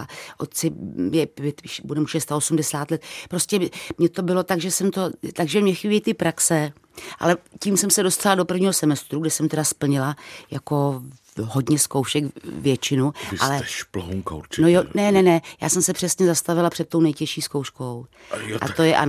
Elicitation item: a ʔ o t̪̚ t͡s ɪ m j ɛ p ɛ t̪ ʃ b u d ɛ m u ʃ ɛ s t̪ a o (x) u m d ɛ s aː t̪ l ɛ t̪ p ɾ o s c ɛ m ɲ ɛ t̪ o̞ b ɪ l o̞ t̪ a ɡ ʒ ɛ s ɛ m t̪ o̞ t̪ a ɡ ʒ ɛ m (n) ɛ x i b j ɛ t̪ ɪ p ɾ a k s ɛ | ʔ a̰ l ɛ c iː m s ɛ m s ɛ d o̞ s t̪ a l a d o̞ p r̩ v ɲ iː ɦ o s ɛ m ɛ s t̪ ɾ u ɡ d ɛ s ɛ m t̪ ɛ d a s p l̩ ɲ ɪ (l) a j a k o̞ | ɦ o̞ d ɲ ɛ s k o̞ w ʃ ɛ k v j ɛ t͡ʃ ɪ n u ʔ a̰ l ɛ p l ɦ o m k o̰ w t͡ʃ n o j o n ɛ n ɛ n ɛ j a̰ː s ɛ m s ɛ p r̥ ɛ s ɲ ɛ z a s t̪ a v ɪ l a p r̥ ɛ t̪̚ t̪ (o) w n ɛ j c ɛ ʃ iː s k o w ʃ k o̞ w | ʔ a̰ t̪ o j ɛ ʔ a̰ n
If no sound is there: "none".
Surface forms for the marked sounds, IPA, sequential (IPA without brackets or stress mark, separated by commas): s, ɲ, l, o